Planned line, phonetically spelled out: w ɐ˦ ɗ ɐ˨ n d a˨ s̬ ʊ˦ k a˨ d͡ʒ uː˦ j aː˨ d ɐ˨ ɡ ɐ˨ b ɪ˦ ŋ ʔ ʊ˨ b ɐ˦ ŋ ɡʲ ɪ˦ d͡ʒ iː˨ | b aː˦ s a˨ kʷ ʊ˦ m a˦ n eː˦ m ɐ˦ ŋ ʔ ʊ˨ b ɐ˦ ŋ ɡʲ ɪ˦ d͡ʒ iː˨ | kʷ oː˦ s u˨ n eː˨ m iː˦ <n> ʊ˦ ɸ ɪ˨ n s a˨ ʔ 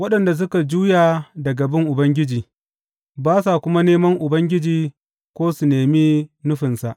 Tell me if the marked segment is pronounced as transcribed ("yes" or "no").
yes